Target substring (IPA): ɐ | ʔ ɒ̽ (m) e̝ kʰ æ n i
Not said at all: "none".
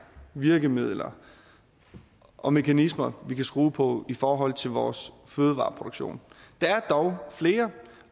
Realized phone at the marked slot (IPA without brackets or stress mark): m